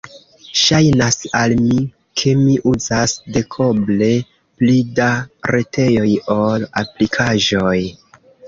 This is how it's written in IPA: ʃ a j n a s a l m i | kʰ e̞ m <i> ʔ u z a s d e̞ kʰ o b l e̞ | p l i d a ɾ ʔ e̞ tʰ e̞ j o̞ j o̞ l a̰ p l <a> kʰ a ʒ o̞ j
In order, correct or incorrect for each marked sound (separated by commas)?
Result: correct, incorrect